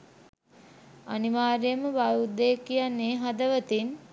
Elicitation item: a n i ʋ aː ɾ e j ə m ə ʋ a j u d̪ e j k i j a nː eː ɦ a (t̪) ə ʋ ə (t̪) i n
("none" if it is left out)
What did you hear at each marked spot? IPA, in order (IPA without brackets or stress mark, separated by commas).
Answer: d̪, t̪